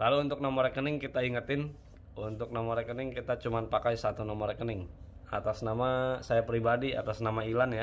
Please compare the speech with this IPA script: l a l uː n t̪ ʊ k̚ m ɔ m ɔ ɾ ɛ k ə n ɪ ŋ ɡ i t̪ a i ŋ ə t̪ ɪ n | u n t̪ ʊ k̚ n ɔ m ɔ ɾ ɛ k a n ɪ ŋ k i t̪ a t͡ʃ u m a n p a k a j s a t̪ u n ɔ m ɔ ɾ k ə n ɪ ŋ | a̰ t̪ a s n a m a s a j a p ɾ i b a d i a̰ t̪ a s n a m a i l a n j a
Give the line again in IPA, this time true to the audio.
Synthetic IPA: l a l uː n t̪ ʊ k̚ n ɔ m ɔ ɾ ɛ k ə n ɪ ŋ k i t̪ a i ŋ ə t̪ ɪ n | u n t̪ ʊ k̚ n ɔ m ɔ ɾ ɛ k ə n ɪ ŋ k i t̪ a t͡ʃ u m a n p a k a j s a t̪ u n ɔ m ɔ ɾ k ə n ɪ ŋ | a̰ t̪ a s n a m a s a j a p ɾ i b a d i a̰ t̪ a s n a m a i l a n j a